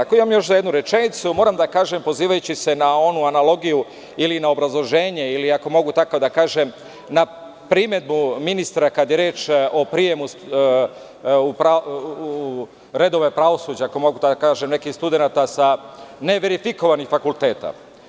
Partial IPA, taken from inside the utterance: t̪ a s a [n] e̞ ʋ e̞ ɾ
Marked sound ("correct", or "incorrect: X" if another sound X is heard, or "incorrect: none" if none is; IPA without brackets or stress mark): correct